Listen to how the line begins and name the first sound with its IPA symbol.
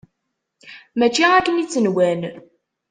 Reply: m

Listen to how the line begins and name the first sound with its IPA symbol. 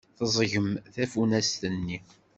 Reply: θ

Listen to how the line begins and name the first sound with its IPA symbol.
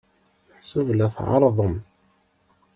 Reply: ħ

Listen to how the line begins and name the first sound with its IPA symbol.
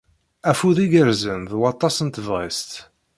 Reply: æ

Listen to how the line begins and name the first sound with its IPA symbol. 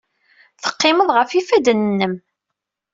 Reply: θ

